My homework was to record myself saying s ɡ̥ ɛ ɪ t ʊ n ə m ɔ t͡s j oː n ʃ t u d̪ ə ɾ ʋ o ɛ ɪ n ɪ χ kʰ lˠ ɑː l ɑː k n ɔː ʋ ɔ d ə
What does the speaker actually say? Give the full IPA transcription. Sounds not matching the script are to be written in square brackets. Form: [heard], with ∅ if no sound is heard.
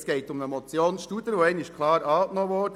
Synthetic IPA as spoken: s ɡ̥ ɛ ɪ t ʊ [m] ə m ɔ t͡s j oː n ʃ t u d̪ ə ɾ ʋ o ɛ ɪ n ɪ [ʃ] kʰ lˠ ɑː [ɾ] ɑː k n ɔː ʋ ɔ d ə